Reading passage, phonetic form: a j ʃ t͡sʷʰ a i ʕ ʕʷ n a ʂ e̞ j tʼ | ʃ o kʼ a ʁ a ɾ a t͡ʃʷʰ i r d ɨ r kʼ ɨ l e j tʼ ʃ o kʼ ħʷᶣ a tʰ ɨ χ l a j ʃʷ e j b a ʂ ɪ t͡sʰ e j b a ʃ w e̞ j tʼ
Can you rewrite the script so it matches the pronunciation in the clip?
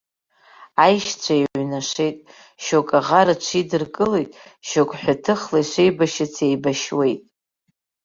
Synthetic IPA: a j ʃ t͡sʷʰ a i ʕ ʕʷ n a ʂ e̞ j tʼ | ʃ o kʼ a ʁ a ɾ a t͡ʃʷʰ i d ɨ r kʼ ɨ l e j tʼ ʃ o kʼ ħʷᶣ a tʰ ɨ χ l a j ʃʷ e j b a ʃ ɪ t͡sʰ e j b a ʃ w e̞ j tʼ